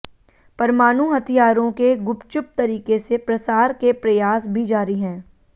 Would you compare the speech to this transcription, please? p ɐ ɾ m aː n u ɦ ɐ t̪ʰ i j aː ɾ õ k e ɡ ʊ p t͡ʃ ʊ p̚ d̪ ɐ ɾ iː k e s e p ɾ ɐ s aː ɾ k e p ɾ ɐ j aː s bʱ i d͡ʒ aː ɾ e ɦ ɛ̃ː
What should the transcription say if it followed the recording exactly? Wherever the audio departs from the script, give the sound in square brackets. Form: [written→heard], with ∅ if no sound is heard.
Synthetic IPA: p ɐ ɾ m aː n u ɦ ɐ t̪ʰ i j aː ɾ õ k e ɡ ʊ p t͡ʃ ʊ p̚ [d̪→t̪] ɐ ɾ iː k e s e p ɾ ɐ s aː ɾ k e p ɾ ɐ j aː s bʱ i d͡ʒ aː ɾ [e→i] ɦ ɛ̃ː